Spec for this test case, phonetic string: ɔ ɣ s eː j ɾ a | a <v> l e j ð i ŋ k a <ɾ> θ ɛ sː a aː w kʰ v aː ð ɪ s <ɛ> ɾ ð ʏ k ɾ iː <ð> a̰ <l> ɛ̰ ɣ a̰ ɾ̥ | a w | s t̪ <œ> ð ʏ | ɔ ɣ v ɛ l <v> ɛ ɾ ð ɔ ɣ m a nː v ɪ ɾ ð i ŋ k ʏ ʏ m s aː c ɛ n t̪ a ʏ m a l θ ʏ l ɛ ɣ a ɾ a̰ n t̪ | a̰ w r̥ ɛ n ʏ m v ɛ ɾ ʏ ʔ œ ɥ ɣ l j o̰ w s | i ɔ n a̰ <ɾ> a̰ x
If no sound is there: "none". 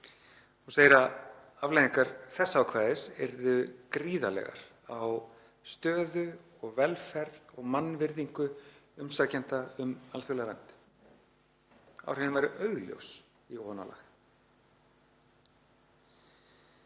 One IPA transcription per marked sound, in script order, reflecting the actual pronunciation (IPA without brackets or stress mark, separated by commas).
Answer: v, ɾ, ɛ, ð, l, œː, f, l